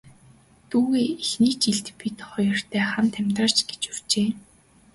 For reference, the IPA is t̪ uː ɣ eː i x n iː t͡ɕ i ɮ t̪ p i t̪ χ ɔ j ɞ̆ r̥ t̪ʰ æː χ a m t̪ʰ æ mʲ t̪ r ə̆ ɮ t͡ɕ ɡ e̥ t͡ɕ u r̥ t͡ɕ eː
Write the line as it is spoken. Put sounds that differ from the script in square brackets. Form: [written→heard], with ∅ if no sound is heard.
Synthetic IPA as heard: t̪ uː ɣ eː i x n iː t͡ɕ i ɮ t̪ p i t̪ χ ɔ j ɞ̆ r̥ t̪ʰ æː χ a m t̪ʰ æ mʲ t̪ r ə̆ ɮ t͡ɕ ɡ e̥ t͡ɕ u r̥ t͡ɕ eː